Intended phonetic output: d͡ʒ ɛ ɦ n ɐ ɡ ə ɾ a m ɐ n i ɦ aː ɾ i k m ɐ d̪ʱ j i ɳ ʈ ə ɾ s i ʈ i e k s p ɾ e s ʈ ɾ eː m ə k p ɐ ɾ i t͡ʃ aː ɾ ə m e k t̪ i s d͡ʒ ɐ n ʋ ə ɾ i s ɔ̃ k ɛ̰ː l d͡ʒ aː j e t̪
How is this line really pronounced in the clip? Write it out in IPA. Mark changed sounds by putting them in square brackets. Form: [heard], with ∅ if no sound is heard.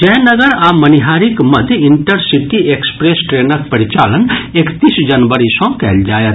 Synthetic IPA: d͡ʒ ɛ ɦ n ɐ ɡ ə ɾ a m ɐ n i ɦ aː ɾ i k m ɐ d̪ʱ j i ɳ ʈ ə ɾ s i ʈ i e k s p ɾ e s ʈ ɾ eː [n] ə k p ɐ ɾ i t͡ʃ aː [l] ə [n] e k t̪ i s d͡ʒ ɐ n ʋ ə ɾ i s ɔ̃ k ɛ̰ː l d͡ʒ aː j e t̪